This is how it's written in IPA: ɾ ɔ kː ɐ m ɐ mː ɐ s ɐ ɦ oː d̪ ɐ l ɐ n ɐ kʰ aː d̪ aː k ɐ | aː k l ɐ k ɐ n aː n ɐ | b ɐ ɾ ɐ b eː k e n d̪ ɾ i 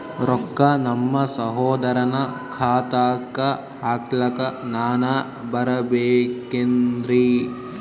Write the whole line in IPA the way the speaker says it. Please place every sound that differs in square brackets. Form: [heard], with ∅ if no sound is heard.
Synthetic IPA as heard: ɾ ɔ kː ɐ [n] ɐ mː ɐ s ɐ ɦ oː d̪ ɐ [ɾ] ɐ n ɐ kʰ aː [t̪] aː k ɐ | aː k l ɐ k ɐ n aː n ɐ | b ɐ ɾ ɐ b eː k e n d̪ ɾ i